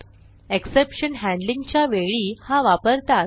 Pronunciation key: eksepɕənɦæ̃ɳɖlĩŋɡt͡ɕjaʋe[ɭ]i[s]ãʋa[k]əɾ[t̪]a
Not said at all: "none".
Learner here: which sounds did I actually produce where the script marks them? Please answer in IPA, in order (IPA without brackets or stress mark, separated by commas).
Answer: ɭ, h, p, t̪